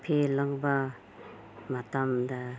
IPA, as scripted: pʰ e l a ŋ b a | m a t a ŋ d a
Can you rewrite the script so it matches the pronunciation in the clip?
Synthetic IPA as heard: pʰ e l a ŋ b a | m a t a m d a